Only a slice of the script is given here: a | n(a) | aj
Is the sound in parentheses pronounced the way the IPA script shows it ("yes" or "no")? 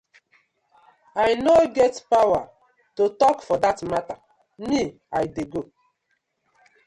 no